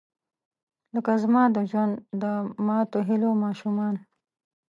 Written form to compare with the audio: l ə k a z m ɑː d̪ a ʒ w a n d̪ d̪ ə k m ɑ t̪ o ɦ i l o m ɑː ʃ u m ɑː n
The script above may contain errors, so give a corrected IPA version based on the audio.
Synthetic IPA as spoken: l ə k a z m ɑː d̪ ə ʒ w a n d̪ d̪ ə m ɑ t̪ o ɦ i l o m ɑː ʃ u m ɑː n